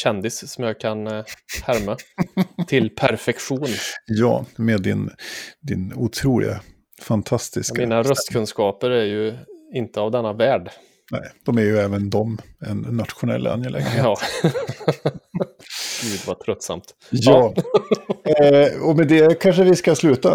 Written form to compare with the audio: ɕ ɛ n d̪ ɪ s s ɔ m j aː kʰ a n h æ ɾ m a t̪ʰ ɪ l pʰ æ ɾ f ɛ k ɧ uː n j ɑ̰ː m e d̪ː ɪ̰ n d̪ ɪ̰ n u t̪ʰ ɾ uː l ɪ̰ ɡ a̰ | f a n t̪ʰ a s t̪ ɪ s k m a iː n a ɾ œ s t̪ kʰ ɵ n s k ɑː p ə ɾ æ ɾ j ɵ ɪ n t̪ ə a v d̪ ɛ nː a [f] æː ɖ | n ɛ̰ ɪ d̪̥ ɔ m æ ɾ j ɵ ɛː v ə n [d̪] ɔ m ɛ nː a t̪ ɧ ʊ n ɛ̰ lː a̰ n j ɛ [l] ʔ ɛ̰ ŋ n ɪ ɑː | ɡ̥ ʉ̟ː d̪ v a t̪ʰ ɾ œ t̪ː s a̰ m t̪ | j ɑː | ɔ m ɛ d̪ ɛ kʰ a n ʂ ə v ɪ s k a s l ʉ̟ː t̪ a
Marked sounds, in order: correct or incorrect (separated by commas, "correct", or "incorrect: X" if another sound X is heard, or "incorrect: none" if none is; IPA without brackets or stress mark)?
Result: incorrect: v, correct, correct